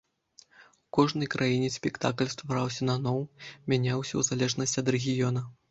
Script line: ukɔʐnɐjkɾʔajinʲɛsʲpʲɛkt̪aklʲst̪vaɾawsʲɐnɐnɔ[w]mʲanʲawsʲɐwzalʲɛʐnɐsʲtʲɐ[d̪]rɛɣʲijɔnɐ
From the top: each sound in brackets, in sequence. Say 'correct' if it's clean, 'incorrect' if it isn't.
correct, correct

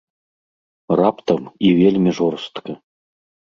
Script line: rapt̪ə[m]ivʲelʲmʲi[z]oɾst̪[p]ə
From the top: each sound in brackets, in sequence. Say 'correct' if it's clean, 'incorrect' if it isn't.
correct, incorrect: ʐ, incorrect: k

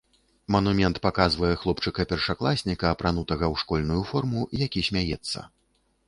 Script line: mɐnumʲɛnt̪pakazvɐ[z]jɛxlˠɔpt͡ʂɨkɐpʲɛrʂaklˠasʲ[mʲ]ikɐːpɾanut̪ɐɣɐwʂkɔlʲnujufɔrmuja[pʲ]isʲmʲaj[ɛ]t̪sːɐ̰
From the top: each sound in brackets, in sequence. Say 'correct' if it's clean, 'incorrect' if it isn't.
incorrect: none, incorrect: nʲ, incorrect: kʲ, correct

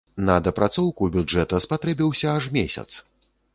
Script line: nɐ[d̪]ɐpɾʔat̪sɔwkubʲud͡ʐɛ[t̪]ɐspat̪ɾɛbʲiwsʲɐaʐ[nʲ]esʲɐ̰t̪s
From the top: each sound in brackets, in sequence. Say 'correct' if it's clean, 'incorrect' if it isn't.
correct, correct, incorrect: mʲ

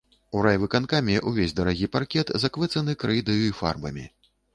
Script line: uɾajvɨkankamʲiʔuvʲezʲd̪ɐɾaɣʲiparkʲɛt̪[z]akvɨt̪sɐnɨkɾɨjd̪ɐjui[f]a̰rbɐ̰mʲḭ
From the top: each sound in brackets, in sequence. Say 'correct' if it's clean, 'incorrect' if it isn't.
correct, correct

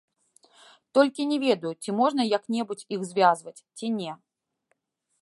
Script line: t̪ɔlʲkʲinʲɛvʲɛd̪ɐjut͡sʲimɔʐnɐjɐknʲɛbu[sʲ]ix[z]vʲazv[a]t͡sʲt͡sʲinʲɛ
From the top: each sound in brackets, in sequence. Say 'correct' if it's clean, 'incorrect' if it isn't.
incorrect: t͡sʲ, correct, incorrect: ɐ

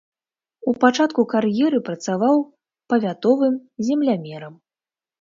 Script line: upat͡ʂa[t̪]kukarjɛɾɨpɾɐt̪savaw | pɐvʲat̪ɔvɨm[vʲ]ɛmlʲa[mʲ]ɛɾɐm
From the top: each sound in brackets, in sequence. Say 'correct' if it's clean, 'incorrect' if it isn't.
correct, incorrect: zʲ, correct

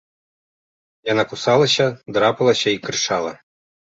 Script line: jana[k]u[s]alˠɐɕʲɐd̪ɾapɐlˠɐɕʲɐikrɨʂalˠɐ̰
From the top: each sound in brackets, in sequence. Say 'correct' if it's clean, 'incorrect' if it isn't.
correct, correct

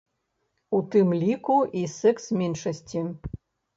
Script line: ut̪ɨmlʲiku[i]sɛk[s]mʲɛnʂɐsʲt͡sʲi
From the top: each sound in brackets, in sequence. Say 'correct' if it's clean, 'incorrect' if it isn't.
correct, correct

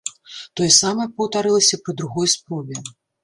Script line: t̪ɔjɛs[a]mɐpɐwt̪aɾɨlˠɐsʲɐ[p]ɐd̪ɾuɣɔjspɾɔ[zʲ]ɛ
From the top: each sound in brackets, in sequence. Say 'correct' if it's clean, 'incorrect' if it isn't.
correct, correct, incorrect: vʲ

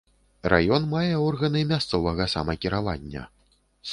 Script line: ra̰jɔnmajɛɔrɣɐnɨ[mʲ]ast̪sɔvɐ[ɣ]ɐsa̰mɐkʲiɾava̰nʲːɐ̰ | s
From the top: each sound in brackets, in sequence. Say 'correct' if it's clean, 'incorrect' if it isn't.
correct, correct

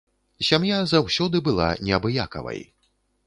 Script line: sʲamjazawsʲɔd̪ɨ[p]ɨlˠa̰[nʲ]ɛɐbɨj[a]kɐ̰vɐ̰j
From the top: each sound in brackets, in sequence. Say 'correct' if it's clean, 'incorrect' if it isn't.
incorrect: b, correct, correct

